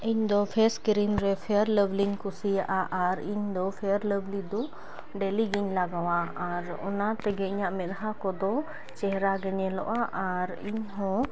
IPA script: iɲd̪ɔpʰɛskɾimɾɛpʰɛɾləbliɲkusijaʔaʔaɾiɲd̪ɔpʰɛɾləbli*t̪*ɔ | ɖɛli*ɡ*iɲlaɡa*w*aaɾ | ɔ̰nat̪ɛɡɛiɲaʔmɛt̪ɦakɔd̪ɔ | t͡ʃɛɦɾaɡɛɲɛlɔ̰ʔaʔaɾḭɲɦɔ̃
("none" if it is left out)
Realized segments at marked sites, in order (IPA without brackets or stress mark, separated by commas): d̪, ɡ, w